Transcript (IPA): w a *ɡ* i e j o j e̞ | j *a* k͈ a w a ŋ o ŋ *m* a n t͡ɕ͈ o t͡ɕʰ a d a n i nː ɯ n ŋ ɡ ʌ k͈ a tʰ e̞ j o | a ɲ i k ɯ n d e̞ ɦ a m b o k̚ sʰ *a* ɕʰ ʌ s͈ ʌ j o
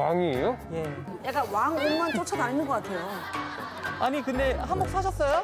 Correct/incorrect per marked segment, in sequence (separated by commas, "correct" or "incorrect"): incorrect, correct, correct, correct